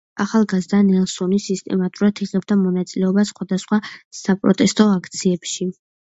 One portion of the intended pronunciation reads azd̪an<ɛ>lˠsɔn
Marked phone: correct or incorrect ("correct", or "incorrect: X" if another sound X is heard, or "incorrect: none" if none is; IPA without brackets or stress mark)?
correct